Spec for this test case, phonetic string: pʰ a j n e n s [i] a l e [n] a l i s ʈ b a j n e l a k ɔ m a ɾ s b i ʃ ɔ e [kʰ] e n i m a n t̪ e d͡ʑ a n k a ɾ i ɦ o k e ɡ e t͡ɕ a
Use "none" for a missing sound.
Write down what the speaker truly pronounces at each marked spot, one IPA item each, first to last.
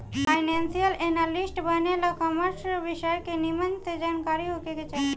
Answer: i, n, k

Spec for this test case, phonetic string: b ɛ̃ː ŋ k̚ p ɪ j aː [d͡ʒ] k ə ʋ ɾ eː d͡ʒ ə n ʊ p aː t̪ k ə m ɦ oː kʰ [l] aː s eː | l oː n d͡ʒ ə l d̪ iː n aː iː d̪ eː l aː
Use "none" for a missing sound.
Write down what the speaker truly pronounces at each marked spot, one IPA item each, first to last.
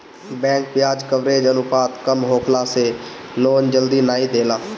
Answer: d͡ʒ, l

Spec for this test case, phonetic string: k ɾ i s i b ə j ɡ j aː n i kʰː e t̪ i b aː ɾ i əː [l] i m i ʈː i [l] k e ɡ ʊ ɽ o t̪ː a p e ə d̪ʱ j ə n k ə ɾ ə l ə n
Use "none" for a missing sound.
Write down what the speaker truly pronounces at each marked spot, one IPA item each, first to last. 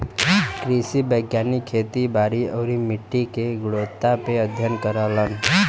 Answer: ɾ, none

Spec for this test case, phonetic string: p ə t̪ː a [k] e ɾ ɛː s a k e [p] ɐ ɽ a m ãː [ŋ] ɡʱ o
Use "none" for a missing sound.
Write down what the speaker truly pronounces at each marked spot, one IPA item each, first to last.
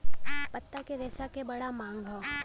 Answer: k, b, ŋ

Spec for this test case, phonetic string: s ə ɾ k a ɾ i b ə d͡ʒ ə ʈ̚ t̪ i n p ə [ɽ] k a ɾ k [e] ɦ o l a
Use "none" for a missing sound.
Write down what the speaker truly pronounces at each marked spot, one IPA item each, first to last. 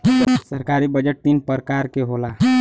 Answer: ɾ, e

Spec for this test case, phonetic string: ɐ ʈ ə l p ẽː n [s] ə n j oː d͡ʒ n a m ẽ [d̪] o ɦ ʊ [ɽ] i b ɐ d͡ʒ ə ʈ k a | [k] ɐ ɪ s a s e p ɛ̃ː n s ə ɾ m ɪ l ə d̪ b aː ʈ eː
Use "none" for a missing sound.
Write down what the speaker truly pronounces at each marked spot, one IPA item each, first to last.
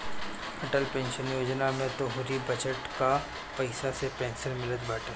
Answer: ʃ, t̪, ɾ, p

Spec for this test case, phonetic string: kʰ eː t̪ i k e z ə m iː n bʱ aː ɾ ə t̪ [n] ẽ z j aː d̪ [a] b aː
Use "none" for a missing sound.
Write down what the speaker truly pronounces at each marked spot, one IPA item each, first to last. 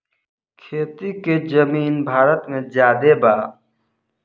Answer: m, e

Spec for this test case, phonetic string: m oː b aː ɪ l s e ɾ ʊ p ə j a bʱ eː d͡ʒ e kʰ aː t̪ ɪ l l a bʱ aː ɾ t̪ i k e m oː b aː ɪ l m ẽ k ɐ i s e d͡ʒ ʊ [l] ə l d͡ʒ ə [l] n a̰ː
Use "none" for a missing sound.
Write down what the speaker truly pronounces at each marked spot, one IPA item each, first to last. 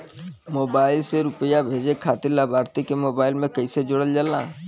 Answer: ɽ, l

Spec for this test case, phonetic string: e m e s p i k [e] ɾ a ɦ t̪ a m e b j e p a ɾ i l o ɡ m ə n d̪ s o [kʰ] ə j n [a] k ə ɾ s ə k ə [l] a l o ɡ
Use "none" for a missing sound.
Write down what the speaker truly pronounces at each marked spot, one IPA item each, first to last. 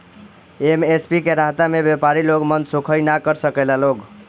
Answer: e, kʰ, a, l

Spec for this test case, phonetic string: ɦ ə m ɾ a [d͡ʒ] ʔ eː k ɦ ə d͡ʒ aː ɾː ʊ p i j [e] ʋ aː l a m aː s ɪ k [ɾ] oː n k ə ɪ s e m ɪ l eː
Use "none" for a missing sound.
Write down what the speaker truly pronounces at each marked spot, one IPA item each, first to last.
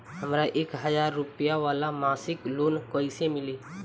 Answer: none, a, l

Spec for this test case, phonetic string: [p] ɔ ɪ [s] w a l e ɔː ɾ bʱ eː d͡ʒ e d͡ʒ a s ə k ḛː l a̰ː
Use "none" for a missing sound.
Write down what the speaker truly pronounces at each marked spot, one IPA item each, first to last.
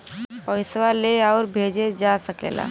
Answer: p, s

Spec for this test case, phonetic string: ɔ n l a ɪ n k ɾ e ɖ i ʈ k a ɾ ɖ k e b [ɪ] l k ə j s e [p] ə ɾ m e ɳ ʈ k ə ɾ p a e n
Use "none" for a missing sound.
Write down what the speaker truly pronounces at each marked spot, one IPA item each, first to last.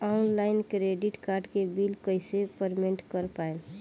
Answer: i, p

